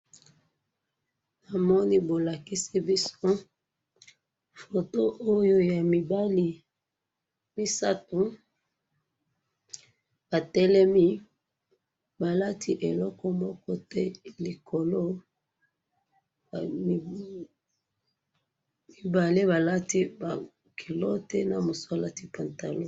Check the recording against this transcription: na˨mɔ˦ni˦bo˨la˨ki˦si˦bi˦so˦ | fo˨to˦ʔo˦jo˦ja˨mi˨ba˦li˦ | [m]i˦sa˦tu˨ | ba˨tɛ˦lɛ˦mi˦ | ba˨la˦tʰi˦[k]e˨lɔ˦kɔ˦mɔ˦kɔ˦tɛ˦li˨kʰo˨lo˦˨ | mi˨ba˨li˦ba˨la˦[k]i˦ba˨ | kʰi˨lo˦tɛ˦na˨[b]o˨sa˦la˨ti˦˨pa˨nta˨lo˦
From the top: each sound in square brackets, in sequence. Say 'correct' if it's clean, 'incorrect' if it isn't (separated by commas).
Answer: correct, incorrect, incorrect, incorrect